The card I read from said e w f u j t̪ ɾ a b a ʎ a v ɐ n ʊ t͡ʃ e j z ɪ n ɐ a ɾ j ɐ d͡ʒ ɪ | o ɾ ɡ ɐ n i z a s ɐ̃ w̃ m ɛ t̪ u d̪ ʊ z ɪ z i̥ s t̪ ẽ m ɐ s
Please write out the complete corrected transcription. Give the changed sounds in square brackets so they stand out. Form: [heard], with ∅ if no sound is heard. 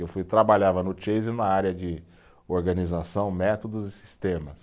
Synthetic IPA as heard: e w f u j t̪ ɾ a b a ʎ a v ɐ n ʊ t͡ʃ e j z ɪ n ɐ a ɾ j ɐ d͡ʒ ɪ | o ɾ ɡ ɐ n i z a s ɐ̃ w̃ m ɛ t̪ [o] d̪ ʊ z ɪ [s] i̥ s t̪ ẽ m ɐ s